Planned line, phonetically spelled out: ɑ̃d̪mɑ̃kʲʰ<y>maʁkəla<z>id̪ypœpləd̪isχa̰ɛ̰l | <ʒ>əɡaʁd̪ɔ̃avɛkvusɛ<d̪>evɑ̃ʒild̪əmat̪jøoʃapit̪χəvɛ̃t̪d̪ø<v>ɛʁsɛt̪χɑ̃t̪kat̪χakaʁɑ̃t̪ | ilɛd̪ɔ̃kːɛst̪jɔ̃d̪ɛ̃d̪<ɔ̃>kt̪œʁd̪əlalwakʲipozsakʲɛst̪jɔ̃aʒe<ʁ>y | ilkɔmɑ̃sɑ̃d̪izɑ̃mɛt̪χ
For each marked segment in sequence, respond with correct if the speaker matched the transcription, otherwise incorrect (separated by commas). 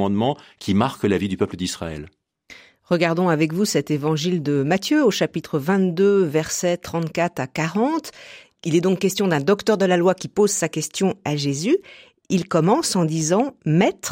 incorrect, incorrect, incorrect, incorrect, correct, incorrect, incorrect